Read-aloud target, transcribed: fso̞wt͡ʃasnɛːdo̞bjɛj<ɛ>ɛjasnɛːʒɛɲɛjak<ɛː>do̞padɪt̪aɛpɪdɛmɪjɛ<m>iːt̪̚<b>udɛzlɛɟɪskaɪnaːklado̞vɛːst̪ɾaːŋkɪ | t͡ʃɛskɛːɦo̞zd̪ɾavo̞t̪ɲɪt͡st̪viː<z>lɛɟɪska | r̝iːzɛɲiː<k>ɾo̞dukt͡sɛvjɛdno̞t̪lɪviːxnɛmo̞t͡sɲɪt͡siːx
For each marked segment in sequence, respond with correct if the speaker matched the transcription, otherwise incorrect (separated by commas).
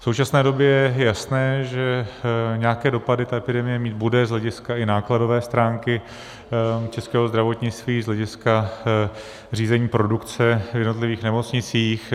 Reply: correct, correct, correct, correct, correct, incorrect